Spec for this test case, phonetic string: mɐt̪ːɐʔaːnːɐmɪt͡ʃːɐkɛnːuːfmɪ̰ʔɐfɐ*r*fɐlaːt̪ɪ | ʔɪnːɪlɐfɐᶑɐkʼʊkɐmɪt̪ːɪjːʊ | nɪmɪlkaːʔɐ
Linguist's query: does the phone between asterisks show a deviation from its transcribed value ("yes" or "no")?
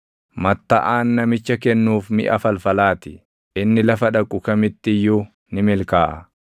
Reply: yes